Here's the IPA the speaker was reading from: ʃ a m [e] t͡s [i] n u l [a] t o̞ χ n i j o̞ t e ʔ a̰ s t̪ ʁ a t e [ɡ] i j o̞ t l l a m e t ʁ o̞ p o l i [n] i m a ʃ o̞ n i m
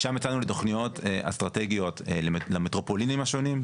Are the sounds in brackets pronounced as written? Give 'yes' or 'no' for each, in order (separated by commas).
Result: yes, no, no, yes, yes